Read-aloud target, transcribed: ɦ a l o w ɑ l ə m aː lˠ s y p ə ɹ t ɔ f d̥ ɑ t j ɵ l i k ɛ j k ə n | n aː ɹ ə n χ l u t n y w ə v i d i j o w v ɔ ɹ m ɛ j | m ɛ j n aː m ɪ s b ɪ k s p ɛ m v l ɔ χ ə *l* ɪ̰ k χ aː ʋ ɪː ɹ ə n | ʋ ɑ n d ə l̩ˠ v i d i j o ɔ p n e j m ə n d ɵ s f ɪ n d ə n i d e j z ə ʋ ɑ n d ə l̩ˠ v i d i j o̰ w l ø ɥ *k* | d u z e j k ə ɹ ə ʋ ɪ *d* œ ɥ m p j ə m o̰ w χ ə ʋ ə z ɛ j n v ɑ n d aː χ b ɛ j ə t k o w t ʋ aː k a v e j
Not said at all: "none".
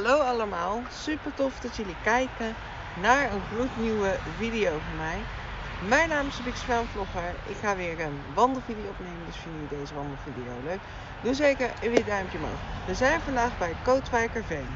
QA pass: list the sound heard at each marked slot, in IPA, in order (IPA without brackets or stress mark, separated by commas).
ɹ, k, d